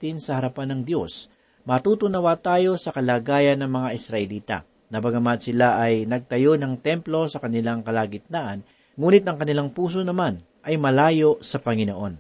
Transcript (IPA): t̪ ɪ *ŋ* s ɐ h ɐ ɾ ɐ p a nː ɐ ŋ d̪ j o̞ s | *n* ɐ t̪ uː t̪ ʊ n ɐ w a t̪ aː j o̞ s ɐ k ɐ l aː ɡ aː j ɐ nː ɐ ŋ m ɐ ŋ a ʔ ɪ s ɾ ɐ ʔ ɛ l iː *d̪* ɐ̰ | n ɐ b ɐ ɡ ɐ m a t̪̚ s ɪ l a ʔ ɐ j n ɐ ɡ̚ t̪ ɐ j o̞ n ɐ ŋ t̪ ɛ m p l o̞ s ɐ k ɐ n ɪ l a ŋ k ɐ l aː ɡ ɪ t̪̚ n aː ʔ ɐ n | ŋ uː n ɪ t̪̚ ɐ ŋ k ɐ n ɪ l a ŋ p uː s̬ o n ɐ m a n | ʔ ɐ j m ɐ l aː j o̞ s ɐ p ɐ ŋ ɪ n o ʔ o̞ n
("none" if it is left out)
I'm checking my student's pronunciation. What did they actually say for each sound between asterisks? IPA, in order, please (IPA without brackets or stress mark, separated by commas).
n, m, t̪